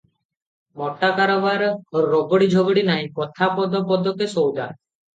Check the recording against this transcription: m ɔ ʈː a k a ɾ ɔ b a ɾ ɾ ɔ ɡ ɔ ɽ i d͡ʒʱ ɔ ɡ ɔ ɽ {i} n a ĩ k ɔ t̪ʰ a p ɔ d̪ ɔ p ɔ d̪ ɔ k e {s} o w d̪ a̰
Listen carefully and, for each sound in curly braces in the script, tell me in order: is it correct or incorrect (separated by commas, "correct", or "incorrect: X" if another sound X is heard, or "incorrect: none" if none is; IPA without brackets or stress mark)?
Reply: correct, correct